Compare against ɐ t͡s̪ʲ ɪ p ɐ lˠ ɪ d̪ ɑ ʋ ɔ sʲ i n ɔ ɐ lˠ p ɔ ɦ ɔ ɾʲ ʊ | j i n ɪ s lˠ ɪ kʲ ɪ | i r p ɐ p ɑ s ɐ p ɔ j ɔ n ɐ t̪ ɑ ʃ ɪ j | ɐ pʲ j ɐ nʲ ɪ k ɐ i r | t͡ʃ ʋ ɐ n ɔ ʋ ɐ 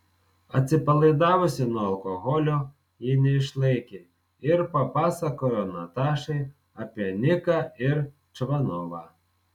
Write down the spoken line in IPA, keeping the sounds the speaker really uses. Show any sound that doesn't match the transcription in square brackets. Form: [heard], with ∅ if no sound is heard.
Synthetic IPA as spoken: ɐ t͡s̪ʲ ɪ p ɐ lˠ ɪ d̪ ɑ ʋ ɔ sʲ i n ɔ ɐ lˠ [k] ɔ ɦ ɔ [lʲ] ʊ | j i n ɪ [ʃ] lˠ ɪ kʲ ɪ | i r p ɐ p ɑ s ɐ [k] ɔ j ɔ n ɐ t̪ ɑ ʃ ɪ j | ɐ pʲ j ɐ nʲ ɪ k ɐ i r | t͡ʃ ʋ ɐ n ɔ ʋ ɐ